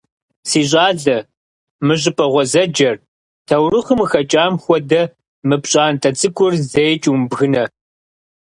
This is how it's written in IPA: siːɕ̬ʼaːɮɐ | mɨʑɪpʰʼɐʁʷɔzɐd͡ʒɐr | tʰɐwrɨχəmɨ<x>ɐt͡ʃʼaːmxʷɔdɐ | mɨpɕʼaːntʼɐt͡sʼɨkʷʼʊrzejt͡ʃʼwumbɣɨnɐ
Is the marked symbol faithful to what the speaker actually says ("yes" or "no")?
yes